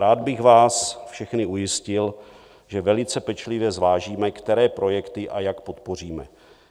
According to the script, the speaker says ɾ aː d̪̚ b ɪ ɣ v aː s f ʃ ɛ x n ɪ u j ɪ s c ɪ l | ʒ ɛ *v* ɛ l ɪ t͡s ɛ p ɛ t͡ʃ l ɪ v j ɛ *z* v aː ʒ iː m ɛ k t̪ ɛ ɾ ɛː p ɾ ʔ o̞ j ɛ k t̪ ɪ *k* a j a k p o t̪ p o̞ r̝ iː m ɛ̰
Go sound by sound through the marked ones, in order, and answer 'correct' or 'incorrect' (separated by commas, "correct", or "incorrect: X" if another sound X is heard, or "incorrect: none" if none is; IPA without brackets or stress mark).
correct, correct, incorrect: ʔ